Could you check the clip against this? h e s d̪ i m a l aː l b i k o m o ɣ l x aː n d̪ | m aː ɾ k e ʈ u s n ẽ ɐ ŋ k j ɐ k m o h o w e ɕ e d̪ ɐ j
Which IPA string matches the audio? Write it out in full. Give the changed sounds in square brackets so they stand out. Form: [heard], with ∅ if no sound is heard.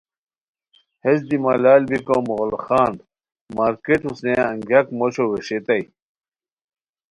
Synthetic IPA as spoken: h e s d̪ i m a l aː l b i k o m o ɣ l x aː n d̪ | m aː ɾ k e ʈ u s n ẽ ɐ ŋ [ɡ] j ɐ k m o [ɕ] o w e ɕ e [t̪] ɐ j